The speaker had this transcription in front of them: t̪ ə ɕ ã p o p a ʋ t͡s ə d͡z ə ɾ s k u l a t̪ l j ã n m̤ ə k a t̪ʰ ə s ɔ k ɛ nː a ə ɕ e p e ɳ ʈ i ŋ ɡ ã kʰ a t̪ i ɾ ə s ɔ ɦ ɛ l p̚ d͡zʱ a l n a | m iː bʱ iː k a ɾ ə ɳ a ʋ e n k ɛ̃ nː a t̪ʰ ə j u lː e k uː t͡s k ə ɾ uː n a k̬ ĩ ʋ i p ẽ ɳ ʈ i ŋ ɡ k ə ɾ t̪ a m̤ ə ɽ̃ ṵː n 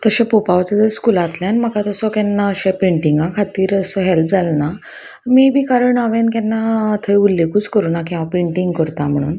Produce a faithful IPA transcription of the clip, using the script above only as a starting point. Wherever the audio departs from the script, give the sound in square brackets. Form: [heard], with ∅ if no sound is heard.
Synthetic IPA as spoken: t̪ ə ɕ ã p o p a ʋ t͡s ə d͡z ə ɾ s k u l a t̪ l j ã n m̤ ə k a [t̪] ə s ɔ k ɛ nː a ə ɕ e p e ɳ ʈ i ŋ ɡ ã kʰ a t̪ [iː] ɾ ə s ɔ ɦ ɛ l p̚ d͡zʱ a l n a | m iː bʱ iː k a ɾ ə ɳ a ʋ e n k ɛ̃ nː a t̪ʰ ə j u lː e k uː t͡s k ə ɾ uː n a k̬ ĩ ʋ [a] p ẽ ɳ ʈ i ŋ ɡ k ə ɾ t̪ a m̤ ə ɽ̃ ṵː n